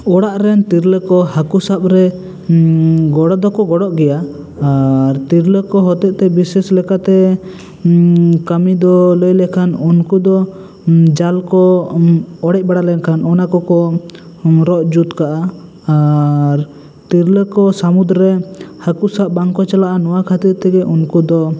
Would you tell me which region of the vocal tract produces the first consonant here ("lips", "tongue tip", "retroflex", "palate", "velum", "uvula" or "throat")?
retroflex